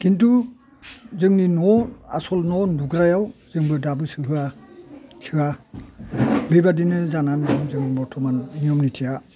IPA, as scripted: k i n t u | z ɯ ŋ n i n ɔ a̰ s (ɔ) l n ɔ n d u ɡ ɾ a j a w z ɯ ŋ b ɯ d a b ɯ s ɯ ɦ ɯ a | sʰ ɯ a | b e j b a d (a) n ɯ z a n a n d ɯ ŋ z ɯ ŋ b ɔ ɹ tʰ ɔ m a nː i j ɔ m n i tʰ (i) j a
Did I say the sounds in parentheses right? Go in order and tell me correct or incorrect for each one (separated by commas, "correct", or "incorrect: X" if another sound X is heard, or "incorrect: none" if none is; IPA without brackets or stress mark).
correct, incorrect: i, correct